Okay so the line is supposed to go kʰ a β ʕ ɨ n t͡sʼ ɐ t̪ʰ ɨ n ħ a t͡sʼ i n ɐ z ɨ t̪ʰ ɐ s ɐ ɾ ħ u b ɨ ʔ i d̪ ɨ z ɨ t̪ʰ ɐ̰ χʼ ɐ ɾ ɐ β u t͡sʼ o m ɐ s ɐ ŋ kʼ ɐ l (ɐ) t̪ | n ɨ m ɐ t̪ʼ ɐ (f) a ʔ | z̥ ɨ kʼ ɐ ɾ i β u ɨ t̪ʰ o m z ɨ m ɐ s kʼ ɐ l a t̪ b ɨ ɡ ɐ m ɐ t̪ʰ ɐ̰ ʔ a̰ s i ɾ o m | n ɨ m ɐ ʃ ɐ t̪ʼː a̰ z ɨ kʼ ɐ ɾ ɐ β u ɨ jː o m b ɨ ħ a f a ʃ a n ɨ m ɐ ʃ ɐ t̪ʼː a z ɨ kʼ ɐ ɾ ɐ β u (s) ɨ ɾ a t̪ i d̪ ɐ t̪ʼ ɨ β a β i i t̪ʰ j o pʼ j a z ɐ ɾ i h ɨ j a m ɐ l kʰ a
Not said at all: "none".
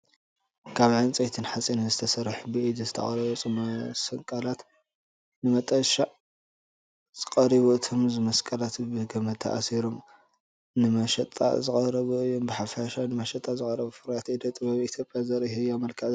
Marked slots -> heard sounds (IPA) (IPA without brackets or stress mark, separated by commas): a, ʃ, f